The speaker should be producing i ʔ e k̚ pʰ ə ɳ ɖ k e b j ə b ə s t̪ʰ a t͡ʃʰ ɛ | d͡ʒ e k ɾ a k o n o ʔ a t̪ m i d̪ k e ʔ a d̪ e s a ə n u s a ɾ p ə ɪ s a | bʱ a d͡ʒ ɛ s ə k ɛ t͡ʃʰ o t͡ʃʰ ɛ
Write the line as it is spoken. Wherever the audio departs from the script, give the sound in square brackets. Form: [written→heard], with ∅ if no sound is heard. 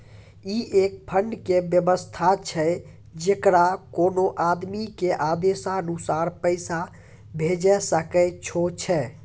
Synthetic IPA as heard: i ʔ e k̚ pʰ ə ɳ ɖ k e b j ə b ə s t̪ʰ a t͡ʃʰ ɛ | d͡ʒ e k ɾ a k o n o ʔ a [t̪→d̪] m i [d̪→∅] k e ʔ a d̪ e s a ə n u s a ɾ p ə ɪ s a | bʱ [a→e] d͡ʒ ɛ s ə k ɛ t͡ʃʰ o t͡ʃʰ ɛ